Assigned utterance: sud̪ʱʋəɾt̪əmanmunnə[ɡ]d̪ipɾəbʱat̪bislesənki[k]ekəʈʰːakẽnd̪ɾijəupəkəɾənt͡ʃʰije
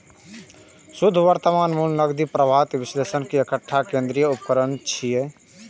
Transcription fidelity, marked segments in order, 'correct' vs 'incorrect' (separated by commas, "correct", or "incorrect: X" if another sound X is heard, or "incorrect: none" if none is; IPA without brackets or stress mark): correct, incorrect: none